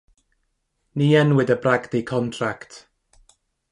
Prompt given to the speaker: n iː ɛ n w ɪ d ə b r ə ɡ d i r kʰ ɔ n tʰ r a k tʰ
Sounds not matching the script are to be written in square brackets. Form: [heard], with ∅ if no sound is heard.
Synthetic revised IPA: n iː ɛ n w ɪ d ə b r [a] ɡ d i [∅] kʰ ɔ n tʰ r a k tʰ